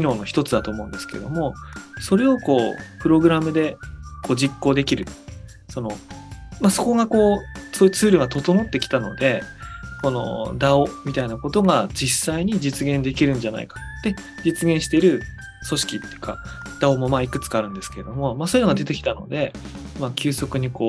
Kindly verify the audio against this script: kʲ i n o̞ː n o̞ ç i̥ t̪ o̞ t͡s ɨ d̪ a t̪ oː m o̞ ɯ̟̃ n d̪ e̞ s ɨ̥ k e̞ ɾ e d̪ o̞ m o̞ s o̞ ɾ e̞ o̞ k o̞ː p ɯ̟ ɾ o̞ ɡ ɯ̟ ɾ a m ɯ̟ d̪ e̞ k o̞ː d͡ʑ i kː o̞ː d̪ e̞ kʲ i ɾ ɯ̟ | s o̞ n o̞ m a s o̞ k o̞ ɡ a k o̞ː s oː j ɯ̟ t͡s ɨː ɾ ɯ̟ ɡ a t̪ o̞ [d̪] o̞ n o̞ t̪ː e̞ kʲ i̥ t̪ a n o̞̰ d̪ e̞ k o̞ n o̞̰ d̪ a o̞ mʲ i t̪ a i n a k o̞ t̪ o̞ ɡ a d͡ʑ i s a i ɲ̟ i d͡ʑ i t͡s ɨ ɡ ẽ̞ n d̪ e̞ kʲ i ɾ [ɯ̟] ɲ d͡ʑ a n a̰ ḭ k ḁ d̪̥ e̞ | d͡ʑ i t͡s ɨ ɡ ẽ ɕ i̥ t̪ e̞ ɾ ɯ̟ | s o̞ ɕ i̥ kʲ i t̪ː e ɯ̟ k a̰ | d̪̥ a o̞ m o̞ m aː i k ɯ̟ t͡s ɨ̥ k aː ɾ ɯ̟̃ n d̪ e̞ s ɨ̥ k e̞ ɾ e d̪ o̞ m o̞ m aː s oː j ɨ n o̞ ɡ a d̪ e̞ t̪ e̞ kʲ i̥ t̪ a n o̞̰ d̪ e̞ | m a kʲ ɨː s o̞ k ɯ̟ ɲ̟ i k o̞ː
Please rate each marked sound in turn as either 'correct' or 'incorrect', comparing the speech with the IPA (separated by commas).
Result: incorrect, incorrect